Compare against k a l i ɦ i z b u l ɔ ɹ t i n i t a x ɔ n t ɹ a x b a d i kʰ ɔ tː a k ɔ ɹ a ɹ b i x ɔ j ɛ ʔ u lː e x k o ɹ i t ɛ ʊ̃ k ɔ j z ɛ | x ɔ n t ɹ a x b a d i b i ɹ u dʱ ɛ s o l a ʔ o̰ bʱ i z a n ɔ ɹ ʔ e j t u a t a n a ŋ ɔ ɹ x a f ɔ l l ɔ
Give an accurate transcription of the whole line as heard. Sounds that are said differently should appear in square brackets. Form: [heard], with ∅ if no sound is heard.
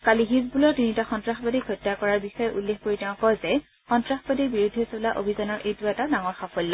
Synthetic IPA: k a l i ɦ i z b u l ɔ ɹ t i n i t a x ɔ n t ɹ a x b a d i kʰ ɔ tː a k ɔ ɹ a ɹ b i x ɔ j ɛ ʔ u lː e x k o ɹ i t ɛ ʊ̃ k ɔ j z ɛ | x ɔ n t ɹ a x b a d i b i ɹ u dʱ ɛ s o l a ʔ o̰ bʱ i z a n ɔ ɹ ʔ e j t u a t a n a ŋ ɔ ɹ x a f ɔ l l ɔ